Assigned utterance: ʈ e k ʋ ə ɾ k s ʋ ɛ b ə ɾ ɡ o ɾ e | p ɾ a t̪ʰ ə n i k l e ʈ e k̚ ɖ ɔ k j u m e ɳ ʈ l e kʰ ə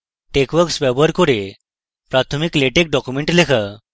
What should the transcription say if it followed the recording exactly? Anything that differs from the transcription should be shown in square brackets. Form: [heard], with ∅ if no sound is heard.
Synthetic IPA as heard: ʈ e k ʋ ə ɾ k s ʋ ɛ b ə ɾ [k] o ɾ e | p ɾ a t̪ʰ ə [m] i k l e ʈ e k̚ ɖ ɔ k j u m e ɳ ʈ l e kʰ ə